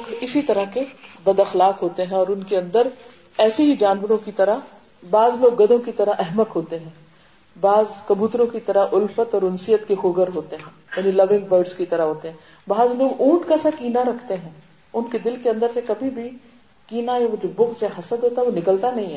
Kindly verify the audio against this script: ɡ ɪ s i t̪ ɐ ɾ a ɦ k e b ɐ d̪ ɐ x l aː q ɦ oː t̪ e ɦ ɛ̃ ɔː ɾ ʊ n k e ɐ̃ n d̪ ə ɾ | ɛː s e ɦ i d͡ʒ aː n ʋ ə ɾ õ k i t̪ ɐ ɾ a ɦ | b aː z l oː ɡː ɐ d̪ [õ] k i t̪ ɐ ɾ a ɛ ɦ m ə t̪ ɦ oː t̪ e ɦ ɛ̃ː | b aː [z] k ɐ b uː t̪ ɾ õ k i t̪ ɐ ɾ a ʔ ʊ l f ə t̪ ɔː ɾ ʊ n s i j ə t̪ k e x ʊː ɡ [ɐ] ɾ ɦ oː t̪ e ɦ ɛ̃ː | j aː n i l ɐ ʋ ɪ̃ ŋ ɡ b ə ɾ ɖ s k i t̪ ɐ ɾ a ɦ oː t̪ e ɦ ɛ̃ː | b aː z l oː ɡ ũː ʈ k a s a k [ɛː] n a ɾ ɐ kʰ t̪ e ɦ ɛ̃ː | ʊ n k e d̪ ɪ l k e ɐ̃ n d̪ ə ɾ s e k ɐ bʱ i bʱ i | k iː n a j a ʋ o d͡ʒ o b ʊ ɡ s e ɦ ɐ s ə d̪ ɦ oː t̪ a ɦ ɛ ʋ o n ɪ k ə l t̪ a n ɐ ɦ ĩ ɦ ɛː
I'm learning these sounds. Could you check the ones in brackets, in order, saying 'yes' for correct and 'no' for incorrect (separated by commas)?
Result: yes, yes, no, no